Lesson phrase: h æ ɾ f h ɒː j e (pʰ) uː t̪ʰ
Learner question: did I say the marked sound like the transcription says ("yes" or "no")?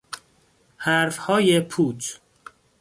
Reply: yes